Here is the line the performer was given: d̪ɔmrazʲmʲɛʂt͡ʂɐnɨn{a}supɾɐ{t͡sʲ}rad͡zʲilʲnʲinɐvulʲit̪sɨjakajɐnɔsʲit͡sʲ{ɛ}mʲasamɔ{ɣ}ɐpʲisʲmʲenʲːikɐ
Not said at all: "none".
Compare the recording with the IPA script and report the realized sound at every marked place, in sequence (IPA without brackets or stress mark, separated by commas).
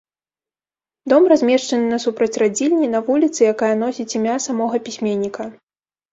ɐ, t͡sʲ, i, ɣ